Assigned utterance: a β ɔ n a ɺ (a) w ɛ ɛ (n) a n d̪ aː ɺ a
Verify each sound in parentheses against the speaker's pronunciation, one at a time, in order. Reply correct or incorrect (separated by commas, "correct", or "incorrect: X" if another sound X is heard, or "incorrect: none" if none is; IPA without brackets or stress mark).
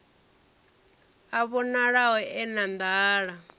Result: correct, correct